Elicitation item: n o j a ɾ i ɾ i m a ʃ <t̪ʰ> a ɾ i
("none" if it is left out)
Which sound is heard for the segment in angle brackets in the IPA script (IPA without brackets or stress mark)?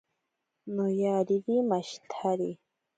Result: t̪ʰ